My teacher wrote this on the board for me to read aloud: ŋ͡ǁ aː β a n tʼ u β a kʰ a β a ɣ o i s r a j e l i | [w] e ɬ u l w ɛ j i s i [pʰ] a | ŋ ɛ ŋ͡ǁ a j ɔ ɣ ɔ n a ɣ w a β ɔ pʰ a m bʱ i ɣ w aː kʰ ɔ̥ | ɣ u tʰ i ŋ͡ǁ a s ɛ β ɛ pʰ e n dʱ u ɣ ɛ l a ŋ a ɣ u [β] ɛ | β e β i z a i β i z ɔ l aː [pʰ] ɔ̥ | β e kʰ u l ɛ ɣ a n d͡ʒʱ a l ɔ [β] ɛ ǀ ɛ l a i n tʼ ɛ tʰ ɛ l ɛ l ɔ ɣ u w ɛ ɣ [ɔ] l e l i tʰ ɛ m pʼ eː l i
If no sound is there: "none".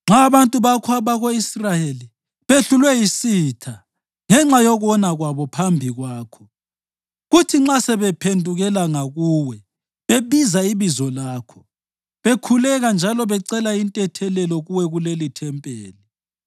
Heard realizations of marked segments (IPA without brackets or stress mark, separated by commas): β, tʰ, w, kʰ, β, u